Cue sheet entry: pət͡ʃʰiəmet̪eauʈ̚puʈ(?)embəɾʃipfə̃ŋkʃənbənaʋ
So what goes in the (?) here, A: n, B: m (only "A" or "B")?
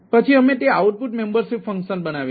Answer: B